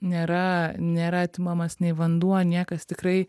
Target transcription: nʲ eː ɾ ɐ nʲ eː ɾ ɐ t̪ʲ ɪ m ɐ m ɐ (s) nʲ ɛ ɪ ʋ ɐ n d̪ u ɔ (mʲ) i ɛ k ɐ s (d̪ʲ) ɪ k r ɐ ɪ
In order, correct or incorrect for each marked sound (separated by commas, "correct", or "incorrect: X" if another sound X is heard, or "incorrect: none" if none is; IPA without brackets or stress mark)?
correct, incorrect: nʲ, incorrect: t̪ʲ